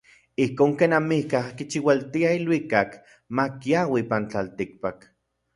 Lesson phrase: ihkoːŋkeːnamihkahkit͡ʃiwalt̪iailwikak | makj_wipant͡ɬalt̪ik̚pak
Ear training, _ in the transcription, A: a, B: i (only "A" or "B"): A